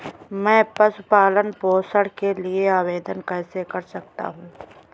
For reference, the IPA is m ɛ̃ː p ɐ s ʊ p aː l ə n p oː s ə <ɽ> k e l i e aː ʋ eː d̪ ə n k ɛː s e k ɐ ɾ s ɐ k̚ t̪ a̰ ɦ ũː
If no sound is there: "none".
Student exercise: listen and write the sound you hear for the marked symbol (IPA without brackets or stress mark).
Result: ɽ